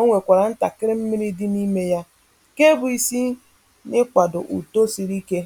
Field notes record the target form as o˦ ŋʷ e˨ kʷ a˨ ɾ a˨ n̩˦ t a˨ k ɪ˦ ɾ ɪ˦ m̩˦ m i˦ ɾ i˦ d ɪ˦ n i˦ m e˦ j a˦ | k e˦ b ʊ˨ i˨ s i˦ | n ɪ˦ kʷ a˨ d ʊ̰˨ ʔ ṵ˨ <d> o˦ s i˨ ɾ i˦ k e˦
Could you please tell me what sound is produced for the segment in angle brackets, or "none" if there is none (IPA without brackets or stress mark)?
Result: t